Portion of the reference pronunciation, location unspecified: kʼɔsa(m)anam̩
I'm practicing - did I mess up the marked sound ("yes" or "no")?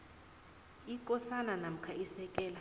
yes